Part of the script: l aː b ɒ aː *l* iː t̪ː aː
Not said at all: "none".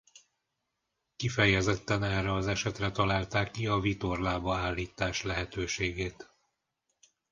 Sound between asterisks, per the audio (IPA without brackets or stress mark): lː